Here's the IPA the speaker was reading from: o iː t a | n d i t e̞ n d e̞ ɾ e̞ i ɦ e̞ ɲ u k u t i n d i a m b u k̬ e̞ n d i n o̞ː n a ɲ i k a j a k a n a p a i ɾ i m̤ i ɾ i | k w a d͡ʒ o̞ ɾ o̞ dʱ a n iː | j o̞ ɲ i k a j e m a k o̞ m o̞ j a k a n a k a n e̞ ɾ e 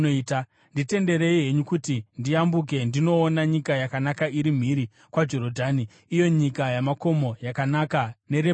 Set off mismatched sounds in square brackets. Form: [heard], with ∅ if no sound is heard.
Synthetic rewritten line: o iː t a | n d i t e̞ n d e̞ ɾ e̞ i ɦ e̞ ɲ u k u t i n d i a m b u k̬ e̞ n d i n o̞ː n a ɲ i k a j a k a n a [k] a i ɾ i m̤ i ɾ i | k w a d͡ʒ o̞ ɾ o̞ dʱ a n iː | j o̞ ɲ i k a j [a] m a k o̞ m o̞ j a k a n a k a n e̞ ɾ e